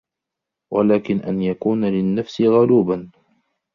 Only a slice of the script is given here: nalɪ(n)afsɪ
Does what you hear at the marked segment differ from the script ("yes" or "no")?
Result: yes